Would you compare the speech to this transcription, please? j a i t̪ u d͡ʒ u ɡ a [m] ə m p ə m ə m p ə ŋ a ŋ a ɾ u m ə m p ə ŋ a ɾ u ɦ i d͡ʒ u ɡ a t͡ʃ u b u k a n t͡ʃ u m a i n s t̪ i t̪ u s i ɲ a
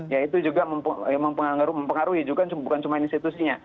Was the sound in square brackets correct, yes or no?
yes